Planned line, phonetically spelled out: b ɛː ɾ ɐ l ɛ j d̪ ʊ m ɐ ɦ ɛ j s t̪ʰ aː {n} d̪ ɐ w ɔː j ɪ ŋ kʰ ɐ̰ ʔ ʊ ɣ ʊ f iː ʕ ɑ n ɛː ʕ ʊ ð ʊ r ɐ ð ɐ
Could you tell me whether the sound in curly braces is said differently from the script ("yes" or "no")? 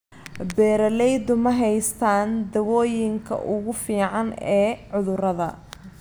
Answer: no